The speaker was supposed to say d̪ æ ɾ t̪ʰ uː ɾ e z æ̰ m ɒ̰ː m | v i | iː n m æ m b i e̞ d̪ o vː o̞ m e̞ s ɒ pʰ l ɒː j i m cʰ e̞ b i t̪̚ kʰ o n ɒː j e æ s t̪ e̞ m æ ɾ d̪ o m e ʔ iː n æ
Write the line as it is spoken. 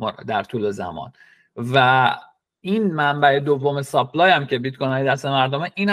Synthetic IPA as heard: d̪ æ ɾ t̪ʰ uː l e z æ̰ m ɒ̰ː n | v æ | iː n m æ m b æ e̞ d̪ o vː o̞ m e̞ s ɒ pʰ l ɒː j æ m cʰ e̞ b i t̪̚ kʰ o n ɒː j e æ s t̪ e̞ m æ ɾ d̪ o m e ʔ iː n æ